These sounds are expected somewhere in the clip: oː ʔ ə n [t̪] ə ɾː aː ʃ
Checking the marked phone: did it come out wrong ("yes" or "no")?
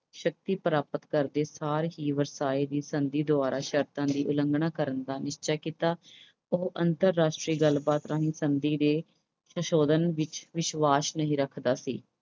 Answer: no